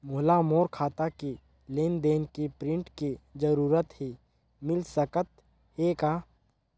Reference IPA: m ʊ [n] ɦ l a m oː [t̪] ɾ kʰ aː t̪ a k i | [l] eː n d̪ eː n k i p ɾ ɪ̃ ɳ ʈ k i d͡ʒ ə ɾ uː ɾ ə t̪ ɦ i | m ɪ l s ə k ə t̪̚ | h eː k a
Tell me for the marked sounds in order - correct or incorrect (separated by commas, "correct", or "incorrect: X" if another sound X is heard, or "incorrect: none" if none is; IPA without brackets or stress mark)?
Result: incorrect: none, incorrect: none, correct